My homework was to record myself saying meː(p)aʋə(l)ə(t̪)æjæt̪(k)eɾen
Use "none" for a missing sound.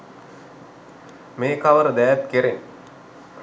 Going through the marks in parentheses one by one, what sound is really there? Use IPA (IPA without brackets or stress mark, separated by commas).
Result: k, ɾ, d̪, k